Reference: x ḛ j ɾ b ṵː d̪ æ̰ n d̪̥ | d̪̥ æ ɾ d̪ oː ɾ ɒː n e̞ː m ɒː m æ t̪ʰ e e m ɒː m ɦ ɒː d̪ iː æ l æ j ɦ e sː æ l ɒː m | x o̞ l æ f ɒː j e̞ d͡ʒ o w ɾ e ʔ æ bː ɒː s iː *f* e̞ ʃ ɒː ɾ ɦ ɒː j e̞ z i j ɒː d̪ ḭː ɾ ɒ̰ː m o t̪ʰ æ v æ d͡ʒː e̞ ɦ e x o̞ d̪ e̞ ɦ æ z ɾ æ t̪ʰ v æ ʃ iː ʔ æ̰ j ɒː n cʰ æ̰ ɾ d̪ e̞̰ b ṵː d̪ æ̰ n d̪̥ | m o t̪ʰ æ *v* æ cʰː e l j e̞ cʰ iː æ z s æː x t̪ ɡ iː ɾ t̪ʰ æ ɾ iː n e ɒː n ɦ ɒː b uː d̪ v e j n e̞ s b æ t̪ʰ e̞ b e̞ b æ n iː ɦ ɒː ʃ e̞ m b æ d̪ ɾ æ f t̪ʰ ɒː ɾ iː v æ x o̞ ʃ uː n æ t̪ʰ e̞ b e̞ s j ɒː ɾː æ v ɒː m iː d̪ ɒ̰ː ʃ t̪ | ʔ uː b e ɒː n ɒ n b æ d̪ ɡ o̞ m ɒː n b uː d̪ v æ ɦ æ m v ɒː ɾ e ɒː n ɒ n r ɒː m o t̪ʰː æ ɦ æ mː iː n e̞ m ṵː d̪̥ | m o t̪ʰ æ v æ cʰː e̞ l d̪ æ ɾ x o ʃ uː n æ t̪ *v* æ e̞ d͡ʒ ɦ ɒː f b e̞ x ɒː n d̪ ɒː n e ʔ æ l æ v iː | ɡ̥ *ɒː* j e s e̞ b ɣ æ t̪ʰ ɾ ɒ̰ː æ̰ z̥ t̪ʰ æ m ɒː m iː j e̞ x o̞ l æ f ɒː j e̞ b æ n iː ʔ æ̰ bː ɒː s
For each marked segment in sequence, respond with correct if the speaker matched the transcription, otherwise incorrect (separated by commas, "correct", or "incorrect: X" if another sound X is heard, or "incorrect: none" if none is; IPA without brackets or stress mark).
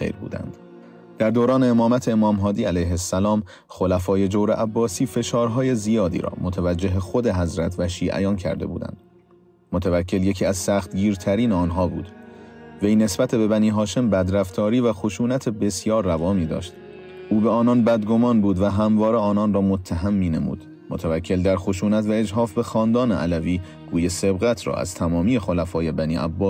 correct, correct, correct, incorrect: uː